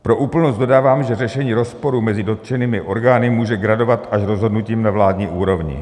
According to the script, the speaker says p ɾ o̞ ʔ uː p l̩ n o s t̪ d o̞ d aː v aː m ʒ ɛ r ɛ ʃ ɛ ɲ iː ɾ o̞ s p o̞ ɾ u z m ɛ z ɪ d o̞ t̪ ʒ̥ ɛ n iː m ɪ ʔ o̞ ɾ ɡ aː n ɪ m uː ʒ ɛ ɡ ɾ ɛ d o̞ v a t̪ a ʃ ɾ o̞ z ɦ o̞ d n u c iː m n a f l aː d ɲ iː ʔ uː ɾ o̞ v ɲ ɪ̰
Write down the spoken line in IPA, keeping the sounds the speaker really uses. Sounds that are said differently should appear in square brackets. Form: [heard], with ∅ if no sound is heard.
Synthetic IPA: p ɾ o̞ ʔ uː p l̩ n o s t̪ d o̞ d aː v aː m ʒ ɛ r ɛ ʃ ɛ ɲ iː ɾ o̞ s p o̞ ɾ u [∅] m ɛ z ɪ d o̞ t̪ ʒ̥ ɛ n iː m ɪ ʔ o̞ ɾ ɡ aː n ɪ m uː ʒ ɛ ɡ ɾ [a] d o̞ v a t̪ a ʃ ɾ o̞ z ɦ o̞ d n u c iː m n a [v] l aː d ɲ iː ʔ uː ɾ o̞ v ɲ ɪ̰